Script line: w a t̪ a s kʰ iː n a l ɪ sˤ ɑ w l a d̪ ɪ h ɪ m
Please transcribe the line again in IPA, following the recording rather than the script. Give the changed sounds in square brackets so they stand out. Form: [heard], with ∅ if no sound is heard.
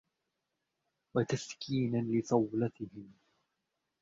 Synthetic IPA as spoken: w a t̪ a s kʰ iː n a l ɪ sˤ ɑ w l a [t̪] ɪ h ɪ m